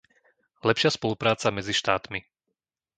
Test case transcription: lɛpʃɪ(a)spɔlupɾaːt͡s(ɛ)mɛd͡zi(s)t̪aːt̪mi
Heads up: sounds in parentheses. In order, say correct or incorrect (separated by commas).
correct, incorrect, incorrect